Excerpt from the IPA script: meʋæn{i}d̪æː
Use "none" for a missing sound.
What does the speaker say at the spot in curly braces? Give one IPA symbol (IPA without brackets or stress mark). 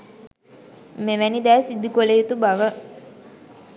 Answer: i